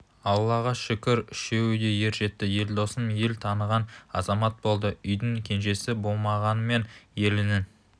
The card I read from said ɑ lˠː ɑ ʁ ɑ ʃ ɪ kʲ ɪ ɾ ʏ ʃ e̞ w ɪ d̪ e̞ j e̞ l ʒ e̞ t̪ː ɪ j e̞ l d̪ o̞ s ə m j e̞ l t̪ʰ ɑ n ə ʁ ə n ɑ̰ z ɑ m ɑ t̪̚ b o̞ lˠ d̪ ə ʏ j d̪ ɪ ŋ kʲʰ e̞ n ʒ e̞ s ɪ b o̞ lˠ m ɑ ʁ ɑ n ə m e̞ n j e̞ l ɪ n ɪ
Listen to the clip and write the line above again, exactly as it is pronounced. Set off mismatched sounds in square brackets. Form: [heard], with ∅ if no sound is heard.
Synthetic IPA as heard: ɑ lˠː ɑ ʁ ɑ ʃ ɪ kʲ ɪ ɾ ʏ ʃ e̞ w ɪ d̪ e̞ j e̞ [ɾ] ʒ e̞ t̪ː ɪ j e̞ l d̪ o̞ s ə m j e̞ l t̪ʰ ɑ n ə ʁ [ɑ] n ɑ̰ z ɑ m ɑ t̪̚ b o̞ lˠ d̪ ə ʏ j d̪ ɪ ŋ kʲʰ e̞ n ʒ e̞ s ɪ b o̞ lˠ m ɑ ʁ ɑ n ə m e̞ n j e̞ l ɪ n ɪ